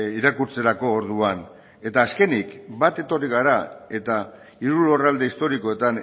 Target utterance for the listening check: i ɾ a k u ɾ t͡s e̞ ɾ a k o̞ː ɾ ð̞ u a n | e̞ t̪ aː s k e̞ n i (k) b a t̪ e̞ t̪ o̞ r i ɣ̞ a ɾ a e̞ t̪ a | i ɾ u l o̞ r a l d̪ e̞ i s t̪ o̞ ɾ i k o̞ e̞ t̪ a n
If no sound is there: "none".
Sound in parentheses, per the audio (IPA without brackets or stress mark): k